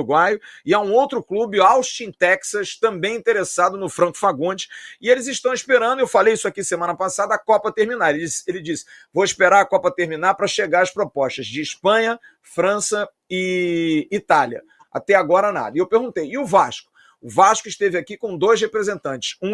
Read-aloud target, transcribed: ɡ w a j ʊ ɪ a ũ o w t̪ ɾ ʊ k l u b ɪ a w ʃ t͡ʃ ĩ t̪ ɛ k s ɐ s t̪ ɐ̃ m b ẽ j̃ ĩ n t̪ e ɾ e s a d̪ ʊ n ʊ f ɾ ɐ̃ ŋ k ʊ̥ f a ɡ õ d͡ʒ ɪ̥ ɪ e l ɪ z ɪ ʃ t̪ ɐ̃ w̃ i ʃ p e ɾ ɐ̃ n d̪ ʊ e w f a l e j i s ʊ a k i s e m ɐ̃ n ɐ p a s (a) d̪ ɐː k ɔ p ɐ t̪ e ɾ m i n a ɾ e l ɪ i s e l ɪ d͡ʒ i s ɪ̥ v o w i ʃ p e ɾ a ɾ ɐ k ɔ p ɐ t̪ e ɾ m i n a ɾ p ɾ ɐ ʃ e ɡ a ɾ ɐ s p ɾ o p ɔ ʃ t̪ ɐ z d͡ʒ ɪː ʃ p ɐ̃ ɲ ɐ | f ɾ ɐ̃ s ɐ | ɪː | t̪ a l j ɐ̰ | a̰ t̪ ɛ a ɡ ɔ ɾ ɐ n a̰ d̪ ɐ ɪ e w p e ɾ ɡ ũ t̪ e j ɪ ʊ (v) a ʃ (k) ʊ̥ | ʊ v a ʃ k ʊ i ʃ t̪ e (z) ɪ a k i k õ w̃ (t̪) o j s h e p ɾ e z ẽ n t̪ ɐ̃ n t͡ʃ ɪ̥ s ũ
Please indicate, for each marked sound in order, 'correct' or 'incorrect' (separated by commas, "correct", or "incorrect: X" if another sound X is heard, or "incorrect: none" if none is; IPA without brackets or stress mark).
correct, correct, correct, incorrect: v, incorrect: d̪